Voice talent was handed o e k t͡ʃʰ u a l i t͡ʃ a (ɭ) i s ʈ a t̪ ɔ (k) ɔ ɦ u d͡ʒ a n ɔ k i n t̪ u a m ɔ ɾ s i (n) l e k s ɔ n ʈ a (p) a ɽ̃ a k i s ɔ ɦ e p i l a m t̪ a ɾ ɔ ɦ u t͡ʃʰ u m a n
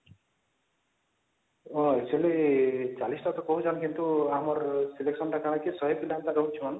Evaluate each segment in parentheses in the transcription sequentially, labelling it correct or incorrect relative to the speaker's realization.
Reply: incorrect, correct, incorrect, incorrect

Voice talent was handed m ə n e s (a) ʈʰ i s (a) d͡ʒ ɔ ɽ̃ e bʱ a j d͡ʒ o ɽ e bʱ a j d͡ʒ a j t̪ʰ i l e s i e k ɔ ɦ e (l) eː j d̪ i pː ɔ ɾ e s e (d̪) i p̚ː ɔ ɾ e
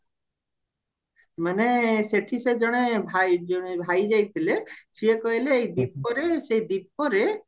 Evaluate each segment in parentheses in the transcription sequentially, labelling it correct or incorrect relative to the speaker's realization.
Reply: incorrect, incorrect, correct, correct

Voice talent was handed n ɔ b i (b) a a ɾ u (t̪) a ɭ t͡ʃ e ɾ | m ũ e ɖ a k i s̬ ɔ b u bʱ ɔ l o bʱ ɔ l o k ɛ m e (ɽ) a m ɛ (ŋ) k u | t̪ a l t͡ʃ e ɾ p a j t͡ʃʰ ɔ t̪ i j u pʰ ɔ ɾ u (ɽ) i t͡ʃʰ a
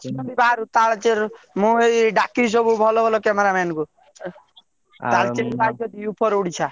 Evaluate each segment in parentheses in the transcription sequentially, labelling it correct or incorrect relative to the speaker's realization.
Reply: correct, correct, incorrect, incorrect, correct

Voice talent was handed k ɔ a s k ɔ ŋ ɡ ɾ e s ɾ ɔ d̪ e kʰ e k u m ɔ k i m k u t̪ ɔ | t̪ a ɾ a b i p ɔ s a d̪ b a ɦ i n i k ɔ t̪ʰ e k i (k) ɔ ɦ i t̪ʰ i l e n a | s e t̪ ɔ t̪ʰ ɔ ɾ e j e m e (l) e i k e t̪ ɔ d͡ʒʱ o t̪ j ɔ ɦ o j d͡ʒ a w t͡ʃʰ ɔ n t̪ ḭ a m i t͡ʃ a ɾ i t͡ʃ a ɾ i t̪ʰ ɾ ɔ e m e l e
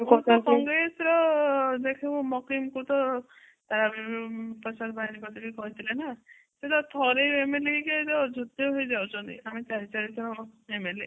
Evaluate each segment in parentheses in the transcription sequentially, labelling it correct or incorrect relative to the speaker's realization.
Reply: correct, correct

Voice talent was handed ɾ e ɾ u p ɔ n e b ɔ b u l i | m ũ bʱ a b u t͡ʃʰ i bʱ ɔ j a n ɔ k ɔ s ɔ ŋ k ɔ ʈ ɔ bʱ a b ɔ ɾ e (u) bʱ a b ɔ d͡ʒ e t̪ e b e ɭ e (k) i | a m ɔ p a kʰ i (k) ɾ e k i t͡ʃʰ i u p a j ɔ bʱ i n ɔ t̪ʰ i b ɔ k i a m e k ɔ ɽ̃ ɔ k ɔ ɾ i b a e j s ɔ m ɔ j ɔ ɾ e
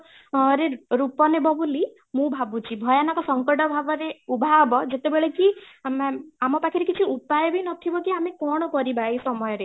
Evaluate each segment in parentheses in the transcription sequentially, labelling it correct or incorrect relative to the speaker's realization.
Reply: correct, correct, incorrect

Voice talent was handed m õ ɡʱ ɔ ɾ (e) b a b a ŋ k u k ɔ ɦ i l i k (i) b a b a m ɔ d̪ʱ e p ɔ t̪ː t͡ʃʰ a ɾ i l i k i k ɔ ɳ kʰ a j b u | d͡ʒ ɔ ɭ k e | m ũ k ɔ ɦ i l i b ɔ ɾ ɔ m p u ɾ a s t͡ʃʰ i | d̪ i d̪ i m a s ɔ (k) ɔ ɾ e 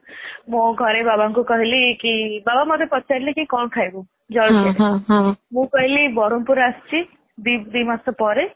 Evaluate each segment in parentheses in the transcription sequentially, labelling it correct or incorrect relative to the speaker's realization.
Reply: correct, correct, incorrect

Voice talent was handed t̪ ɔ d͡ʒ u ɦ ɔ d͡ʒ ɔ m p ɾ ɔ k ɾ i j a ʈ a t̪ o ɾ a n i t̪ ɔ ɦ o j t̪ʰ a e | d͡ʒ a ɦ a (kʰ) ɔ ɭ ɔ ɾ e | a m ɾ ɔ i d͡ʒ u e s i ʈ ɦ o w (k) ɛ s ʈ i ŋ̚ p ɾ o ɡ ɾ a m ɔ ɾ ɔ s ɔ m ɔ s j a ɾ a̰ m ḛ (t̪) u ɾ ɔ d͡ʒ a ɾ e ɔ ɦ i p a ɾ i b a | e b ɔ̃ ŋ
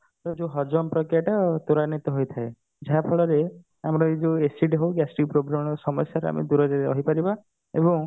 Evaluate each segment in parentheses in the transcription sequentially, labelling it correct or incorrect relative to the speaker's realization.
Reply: incorrect, incorrect, incorrect

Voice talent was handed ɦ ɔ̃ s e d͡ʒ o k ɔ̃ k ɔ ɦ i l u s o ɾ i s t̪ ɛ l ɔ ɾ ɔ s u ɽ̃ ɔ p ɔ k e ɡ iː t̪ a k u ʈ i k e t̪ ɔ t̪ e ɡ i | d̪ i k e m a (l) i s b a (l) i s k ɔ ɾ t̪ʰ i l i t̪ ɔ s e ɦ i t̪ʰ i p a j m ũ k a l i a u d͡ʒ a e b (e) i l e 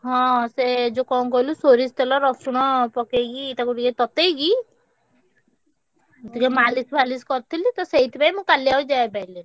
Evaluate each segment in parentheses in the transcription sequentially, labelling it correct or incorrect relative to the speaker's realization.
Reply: correct, correct, incorrect

